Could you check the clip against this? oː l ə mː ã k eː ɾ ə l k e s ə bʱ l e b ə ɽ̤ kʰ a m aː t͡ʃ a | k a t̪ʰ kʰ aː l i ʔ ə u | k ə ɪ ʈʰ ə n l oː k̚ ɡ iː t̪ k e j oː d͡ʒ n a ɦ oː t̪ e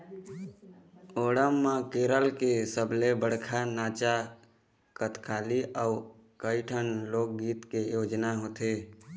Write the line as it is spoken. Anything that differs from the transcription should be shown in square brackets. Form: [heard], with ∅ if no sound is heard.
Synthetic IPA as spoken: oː [ɽ] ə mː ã k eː ɾ ə l k e s ə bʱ l e b ə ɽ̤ kʰ a [n] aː t͡ʃ a | k [ə] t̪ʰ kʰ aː l i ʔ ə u | k ə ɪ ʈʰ ə n l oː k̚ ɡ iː t̪ k e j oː d͡ʒ n a ɦ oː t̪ e

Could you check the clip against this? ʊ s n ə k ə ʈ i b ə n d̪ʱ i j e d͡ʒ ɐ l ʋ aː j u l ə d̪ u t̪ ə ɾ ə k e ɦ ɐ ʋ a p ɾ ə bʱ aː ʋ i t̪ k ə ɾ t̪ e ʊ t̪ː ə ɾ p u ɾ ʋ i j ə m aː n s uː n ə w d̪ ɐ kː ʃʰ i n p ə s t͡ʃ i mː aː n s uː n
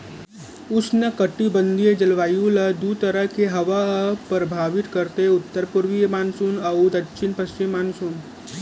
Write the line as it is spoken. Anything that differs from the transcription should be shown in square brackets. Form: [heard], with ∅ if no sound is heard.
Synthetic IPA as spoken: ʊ s n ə k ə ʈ i b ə n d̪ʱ i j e d͡ʒ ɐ l ʋ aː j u l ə d̪ u t̪ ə ɾ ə k e ɦ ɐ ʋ a p ɾ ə bʱ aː ʋ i t̪ k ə ɾ t̪ e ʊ t̪ː ə ɾ p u ɾ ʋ i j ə m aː n s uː n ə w d̪ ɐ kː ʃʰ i n p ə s t͡ʃ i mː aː n s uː n

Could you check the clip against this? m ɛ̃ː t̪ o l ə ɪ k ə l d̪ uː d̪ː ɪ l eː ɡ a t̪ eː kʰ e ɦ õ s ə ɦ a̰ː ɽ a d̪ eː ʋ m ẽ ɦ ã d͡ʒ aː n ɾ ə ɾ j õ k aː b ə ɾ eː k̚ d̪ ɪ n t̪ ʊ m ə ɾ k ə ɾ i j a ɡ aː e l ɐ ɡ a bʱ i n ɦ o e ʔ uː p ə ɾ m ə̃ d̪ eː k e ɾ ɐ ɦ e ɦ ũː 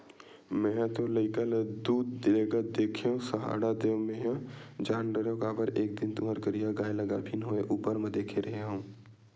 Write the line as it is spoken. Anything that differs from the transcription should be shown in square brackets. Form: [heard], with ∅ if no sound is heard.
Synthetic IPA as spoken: m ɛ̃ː t̪ o l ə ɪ k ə l d̪ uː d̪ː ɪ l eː ɡ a [d̪] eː kʰ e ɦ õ s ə ɦ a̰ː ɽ a d̪ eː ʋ m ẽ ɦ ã d͡ʒ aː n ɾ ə ɾ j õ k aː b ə ɾ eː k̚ d̪ ɪ n t̪ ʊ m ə ɾ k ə ɾ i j a ɡ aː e l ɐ ɡ a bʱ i n ɦ o e ʔ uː p ə ɾ m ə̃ d̪ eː [kʰ] e ɾ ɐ ɦ e ɦ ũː

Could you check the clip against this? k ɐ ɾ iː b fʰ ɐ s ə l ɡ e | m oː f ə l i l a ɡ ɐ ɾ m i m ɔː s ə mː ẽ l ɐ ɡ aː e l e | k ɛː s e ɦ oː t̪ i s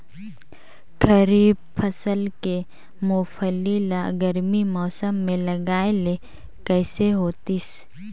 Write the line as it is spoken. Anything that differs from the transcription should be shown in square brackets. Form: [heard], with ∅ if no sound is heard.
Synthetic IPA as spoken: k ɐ ɾ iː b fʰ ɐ s ə l [k] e | m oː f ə l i l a ɡ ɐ ɾ m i m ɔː s ə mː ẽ l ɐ ɡ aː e l e | k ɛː s e ɦ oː t̪ i s

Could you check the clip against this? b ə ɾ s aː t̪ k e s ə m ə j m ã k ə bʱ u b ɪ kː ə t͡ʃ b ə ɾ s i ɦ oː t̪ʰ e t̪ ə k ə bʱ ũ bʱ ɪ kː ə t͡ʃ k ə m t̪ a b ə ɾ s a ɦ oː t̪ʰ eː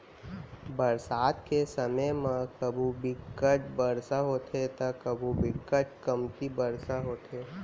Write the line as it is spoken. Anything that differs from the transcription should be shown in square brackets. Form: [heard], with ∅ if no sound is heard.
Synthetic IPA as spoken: b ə ɾ s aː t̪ k e s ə m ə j m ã k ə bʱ u b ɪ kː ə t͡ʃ b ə ɾ s [a] ɦ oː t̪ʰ e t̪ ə k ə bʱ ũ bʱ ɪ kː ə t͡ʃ k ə m t̪ [i] b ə ɾ s a ɦ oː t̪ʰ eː

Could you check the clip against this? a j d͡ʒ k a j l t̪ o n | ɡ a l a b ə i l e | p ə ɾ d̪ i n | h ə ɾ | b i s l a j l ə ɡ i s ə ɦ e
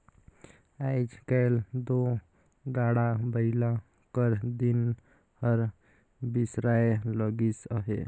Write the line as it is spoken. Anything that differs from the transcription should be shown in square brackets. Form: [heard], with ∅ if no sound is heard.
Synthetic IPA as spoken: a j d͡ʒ k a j l [d̪] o [∅] | ɡ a [ɽ] a b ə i l [a] | [k] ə ɾ d̪ i n | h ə ɾ | b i s [ɾ] a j l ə ɡ i s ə ɦ e

